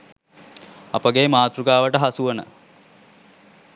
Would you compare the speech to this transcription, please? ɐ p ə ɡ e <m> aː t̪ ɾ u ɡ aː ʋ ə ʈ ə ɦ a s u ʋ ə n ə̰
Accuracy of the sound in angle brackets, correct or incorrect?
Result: correct